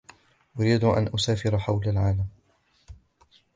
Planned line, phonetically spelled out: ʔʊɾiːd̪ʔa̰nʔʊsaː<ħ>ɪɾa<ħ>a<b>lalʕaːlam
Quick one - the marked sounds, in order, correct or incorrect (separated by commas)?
incorrect, correct, incorrect